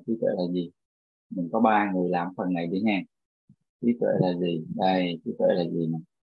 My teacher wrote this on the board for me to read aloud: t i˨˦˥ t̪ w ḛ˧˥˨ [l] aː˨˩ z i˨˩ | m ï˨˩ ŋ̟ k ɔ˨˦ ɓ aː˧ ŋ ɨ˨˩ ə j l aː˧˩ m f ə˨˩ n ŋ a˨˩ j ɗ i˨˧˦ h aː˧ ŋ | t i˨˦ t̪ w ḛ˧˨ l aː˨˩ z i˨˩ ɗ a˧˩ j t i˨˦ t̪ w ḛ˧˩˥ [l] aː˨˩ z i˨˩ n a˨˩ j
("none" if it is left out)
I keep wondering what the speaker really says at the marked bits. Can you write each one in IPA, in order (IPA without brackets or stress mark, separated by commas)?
l, l